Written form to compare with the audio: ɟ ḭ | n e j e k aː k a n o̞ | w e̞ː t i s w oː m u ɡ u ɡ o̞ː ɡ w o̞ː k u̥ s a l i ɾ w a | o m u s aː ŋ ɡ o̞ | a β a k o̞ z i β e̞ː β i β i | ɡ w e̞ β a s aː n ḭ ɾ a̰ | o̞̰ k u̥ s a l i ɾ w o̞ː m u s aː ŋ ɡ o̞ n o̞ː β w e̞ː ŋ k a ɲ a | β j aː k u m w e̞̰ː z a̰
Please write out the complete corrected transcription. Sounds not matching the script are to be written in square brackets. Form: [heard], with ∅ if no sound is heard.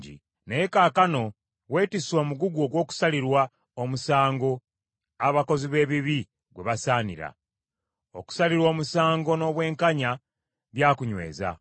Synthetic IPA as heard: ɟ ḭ | n e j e k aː k a n o̞ | w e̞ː t i s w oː m u ɡ u ɡ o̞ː ɡ w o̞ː k u̥ s a l i ɾ w a | o m u s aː ŋ ɡ o̞ | a β a k o̞ z i β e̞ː β i β i | ɡ w e̞ β a s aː n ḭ ɾ a̰ | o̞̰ k u̥ s a l i ɾ w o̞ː m u s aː ŋ ɡ o̞ n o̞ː β w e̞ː ŋ k a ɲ a | β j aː k u [ɲ] w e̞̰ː z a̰

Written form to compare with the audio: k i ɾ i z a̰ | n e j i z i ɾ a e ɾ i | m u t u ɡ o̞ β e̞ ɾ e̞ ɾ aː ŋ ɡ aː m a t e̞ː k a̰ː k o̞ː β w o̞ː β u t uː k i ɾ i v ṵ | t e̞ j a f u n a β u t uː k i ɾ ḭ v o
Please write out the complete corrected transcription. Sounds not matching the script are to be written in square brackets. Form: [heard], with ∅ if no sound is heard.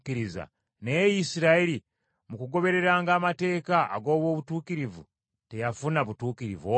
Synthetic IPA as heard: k i ɾ i z a̰ | n e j i [s] i ɾ a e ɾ i | m u [k] u ɡ o̞ β e̞ ɾ e̞ ɾ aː ŋ ɡ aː m a t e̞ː k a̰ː [ɡ] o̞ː β w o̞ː β u t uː k i ɾ i v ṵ | t e̞ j a f u n a β u t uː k i ɾ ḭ v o

